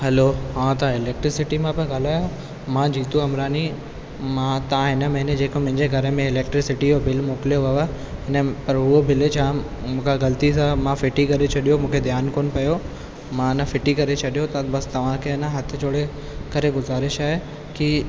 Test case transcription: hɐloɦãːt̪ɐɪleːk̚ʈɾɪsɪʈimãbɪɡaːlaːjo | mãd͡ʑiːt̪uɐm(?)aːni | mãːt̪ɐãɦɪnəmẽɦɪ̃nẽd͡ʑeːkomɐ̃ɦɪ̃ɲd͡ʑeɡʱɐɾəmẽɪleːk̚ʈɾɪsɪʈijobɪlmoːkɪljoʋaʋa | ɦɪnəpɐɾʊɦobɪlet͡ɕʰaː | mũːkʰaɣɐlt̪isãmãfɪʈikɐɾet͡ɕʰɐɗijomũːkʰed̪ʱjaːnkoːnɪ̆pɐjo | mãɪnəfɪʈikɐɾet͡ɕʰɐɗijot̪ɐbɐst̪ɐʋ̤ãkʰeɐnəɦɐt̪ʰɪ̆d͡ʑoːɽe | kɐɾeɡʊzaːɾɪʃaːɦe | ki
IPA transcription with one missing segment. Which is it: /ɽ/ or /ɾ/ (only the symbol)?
ɾ